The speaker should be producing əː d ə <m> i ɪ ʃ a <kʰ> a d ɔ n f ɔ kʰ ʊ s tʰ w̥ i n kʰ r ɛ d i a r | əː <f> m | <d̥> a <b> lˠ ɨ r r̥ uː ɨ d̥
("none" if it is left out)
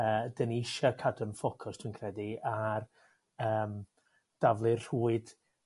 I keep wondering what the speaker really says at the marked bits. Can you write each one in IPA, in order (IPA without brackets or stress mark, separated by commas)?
n, kʰ, none, d̥, v